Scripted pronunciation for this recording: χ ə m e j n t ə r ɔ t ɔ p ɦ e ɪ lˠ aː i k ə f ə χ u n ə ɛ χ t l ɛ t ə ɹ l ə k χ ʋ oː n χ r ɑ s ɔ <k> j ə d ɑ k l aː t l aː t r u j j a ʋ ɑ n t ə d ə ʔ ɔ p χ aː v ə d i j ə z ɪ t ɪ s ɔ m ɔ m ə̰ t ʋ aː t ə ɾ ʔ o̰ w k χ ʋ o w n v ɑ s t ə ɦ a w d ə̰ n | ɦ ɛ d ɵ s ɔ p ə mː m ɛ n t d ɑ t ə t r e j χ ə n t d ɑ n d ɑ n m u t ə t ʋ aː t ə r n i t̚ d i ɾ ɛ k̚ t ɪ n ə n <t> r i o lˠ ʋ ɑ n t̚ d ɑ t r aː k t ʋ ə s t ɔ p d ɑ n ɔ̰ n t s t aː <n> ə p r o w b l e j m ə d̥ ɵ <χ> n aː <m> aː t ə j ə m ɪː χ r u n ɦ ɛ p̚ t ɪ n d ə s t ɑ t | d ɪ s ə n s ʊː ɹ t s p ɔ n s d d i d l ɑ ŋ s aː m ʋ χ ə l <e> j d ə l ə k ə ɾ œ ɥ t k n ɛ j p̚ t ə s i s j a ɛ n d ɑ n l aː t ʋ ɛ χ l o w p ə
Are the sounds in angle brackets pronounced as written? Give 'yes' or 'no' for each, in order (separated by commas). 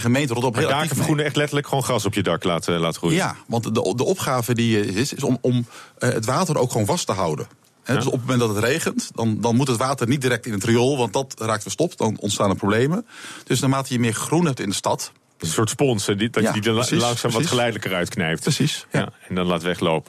no, yes, yes, no, yes, no